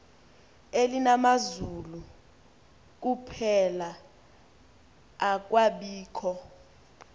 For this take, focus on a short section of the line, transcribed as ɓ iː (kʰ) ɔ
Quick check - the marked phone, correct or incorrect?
correct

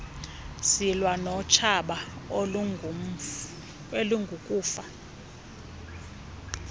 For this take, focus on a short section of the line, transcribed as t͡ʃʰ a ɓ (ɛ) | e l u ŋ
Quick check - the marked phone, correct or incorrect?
incorrect: a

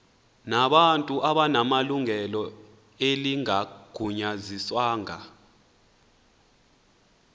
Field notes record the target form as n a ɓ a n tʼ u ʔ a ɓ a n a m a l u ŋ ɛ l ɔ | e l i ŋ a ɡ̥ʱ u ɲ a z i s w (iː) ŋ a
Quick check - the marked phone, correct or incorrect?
incorrect: aː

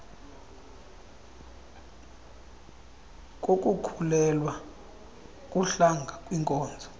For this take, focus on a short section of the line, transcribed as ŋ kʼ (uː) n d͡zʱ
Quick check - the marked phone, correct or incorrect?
incorrect: ɔː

